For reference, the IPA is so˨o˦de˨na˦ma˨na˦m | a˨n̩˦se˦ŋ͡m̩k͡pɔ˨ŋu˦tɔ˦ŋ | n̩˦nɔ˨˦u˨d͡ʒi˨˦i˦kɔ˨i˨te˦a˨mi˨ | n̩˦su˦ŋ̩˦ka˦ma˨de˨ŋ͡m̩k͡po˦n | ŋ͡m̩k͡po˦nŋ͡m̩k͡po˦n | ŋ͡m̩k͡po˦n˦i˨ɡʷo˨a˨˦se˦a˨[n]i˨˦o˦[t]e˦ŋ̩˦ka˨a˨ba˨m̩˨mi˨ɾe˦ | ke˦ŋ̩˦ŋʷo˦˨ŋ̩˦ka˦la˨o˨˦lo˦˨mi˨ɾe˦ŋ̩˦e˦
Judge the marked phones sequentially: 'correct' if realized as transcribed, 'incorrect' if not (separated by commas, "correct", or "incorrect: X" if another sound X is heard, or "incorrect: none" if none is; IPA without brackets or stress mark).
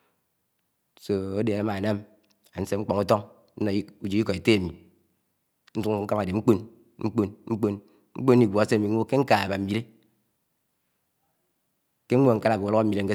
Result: incorrect: m, incorrect: k